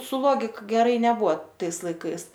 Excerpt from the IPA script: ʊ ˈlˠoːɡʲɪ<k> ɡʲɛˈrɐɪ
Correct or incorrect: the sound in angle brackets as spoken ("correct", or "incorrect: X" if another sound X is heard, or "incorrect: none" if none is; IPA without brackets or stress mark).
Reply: correct